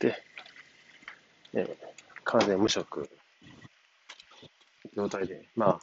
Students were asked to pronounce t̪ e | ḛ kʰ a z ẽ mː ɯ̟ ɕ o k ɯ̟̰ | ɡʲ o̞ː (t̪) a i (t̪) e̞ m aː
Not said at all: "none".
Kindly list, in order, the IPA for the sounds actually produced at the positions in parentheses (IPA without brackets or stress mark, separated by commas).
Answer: t̪, d̪